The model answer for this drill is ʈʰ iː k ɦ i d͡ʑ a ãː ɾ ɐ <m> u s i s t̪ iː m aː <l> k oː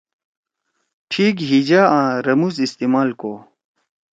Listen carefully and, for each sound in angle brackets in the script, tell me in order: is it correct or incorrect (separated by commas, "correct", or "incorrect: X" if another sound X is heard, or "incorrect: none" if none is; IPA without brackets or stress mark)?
correct, correct